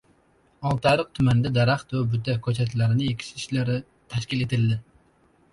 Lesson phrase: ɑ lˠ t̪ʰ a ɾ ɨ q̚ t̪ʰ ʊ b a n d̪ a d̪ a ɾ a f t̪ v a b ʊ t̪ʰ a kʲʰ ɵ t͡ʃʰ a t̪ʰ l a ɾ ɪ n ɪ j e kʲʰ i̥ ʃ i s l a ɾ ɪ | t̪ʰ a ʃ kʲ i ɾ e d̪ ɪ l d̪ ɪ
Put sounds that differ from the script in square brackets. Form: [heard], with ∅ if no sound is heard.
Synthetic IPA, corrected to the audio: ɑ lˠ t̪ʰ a ɾ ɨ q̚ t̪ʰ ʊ [m] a n d̪ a d̪ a ɾ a [χ] t̪ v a b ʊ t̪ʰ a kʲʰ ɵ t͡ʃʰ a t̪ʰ l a ɾ ɪ n ɪ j e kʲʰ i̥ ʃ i [ʃ] l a ɾ ɪ | t̪ʰ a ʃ kʲ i [l] e [t̪] ɪ l d̪ ɪ